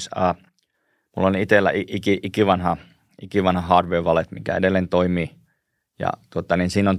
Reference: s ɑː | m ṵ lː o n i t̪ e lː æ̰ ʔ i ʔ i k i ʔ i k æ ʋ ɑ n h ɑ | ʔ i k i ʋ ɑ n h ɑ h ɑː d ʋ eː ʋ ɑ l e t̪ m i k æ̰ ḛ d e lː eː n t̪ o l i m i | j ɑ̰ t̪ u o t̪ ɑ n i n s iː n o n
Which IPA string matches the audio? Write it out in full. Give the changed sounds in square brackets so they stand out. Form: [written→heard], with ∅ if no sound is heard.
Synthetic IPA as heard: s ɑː | m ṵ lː o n i t̪ e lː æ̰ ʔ i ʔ i k i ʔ i k [æ→i] ʋ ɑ n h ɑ | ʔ i k i ʋ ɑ n h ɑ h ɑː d ʋ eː ʋ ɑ l e t̪ m i k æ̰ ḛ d e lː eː n t̪ o [l→∅] i m i | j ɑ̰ t̪ u o t̪ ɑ n i n s iː n o n